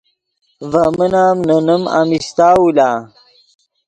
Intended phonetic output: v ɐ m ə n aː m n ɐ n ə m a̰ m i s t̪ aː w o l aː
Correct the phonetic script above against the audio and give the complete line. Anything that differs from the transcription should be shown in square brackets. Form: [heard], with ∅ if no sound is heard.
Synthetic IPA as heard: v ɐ m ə n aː m n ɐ n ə m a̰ m i s t̪ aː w [u] l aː

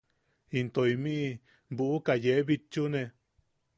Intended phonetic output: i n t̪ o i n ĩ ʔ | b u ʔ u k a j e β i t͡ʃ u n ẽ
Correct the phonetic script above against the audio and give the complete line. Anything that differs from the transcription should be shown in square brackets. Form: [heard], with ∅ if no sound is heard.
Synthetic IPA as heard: i n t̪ o i [m] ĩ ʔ | b u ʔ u k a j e β i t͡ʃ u n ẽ

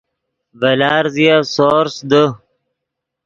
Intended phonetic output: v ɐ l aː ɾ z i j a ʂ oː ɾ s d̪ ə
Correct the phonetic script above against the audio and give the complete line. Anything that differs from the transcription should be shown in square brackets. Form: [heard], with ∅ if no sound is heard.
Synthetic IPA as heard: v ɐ l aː ɾ z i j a [s] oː ɾ s d̪ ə

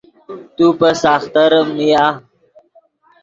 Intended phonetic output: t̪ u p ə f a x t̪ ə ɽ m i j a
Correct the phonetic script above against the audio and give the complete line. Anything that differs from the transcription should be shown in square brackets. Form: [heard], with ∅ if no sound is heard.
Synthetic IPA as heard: t̪ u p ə [s] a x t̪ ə [ɾ] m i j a

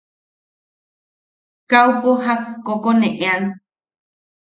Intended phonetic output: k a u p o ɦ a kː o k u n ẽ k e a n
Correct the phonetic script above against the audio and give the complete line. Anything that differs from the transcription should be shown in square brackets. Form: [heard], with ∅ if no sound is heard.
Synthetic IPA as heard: k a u p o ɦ a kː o k [o] n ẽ [ʔ] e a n

